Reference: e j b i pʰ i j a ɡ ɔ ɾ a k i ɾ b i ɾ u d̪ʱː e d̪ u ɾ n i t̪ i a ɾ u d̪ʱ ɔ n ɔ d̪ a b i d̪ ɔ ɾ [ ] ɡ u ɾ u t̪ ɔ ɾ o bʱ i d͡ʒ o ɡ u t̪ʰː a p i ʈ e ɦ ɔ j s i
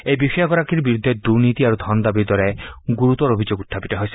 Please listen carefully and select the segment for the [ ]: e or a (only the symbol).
e